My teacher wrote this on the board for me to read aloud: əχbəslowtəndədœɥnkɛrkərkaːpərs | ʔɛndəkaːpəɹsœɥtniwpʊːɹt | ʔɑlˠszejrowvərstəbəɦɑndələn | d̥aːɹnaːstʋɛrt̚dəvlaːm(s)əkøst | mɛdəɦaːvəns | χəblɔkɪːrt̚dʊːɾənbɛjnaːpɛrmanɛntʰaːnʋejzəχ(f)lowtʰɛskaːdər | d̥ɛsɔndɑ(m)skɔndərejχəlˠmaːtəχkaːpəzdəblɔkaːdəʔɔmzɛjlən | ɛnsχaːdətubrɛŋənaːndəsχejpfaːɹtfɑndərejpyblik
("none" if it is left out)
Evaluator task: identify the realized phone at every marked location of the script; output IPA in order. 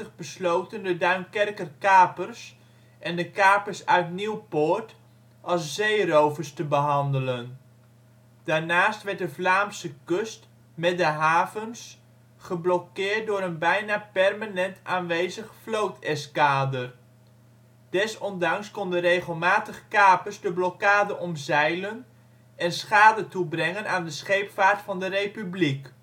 s, f, ŋ

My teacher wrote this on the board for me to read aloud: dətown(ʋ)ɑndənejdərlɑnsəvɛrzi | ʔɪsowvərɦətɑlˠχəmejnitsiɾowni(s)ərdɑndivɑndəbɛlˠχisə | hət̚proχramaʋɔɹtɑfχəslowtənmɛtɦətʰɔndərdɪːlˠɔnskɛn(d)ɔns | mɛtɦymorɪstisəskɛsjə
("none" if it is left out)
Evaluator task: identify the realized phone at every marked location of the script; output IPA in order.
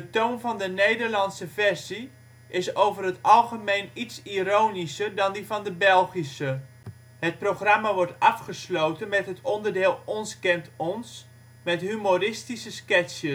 v, s, t

